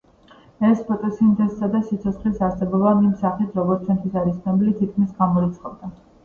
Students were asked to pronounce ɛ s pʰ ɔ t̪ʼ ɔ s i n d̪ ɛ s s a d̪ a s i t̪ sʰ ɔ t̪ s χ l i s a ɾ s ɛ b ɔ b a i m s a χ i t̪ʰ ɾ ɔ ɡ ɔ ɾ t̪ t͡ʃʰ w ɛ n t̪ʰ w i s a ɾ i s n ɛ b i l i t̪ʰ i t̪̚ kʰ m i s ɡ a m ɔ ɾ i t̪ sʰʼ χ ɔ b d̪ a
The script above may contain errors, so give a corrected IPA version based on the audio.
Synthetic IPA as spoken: ɛ s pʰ ɔ t̪ʼ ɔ s i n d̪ ɛ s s a d̪ a s i t̪ sʰ ɔ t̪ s χ l i s a ɾ s ɛ b ɔ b a i m s a χ i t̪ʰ ɾ ɔ ɡ ɔ ɾ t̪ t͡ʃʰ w ɛ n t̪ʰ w i s a ɾ i s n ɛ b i l i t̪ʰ i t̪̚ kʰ m i s ɡ a m ɔ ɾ i t̪ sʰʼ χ ɔ b d̪ a